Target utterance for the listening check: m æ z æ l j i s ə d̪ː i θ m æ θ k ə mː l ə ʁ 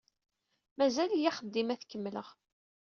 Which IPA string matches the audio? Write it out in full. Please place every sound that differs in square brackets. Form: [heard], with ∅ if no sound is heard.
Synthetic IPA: m æ z æ l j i [χ] ə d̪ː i [∅] m æ θ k ə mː l ə ʁ